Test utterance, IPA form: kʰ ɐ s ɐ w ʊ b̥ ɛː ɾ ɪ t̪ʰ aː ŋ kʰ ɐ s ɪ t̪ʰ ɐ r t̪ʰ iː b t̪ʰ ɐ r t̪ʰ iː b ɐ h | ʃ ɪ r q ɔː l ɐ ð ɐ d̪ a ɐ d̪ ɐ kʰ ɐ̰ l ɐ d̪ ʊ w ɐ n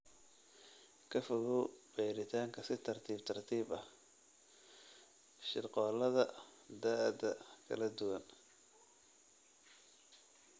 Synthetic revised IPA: kʰ ɐ f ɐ ɣ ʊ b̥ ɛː ɾ ɪ t̪ʰ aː ŋ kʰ ɐ s ɪ t̪ʰ ɐ r t̪ʰ iː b t̪ʰ ɐ r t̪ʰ iː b ɐ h | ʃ ɪ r q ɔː l ɐ ð ɐ d̪ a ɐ d̪ ɐ kʰ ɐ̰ l ɐ d̪ ʊ w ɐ n